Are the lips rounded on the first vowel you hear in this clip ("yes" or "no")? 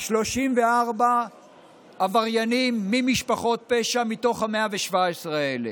yes